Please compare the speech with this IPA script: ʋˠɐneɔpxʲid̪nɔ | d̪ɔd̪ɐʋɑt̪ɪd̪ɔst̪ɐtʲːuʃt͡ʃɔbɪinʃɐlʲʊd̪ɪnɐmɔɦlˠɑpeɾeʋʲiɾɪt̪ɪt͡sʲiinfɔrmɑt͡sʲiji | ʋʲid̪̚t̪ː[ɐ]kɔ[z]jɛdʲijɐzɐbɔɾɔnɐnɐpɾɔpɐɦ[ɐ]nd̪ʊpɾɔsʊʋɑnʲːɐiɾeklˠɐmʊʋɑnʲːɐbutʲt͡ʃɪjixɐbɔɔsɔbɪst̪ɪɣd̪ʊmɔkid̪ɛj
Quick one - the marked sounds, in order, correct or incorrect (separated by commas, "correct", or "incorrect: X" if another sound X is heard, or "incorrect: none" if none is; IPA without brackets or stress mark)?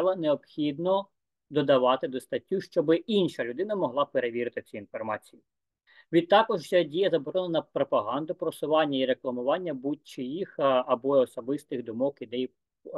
incorrect: ɑ, incorrect: ʒ, incorrect: ɑ